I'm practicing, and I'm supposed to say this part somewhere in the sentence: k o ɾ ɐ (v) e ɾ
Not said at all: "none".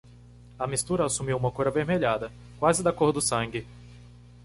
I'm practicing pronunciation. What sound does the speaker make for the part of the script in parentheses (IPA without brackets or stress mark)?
v